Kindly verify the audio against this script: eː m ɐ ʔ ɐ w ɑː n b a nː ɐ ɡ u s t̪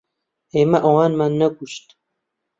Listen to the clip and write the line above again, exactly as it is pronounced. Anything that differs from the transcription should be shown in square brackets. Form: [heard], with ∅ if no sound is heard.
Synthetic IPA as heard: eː m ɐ ʔ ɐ w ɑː n [m] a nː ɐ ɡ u [ʃ] t̪